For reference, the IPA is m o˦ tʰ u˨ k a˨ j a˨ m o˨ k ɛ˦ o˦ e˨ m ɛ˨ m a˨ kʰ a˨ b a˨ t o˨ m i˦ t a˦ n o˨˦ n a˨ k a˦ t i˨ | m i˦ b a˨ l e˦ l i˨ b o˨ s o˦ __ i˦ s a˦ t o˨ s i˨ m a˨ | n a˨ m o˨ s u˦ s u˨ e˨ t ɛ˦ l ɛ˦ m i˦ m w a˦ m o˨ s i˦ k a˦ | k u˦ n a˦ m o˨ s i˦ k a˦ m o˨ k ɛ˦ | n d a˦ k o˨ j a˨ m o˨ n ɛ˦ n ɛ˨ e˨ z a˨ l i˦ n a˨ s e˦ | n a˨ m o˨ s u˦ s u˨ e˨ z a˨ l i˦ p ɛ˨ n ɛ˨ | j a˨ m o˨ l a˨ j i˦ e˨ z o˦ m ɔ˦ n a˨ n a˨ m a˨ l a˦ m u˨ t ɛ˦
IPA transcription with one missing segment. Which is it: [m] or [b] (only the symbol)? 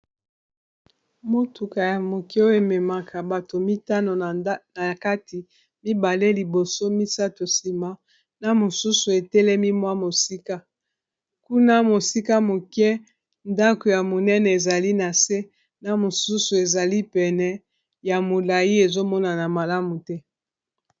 m